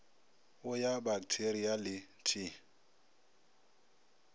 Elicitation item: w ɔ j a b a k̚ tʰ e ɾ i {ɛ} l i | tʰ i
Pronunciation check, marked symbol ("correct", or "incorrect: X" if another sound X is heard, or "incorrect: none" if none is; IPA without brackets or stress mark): incorrect: a